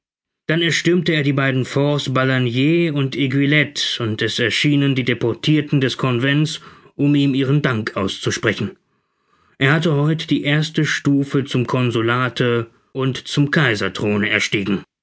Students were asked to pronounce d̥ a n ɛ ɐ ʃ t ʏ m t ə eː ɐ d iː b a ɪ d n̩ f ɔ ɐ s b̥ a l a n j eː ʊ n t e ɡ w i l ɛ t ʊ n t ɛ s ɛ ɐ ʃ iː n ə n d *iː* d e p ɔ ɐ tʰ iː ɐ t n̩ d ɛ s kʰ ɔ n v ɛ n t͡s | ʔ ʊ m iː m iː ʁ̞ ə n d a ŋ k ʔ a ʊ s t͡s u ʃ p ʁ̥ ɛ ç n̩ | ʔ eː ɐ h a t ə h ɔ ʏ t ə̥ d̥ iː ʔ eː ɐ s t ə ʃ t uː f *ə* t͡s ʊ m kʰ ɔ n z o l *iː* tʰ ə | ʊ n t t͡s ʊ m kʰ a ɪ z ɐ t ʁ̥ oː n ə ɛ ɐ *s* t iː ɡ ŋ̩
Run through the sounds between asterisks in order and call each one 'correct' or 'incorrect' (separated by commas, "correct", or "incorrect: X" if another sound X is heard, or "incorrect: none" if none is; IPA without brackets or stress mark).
correct, correct, incorrect: aː, incorrect: ʃ